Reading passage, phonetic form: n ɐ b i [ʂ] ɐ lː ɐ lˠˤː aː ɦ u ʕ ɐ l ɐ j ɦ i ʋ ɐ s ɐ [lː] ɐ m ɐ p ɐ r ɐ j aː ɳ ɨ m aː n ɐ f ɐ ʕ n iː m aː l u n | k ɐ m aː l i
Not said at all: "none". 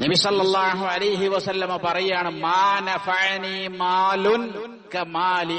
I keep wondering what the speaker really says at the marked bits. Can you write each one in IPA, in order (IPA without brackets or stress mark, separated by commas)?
s, lː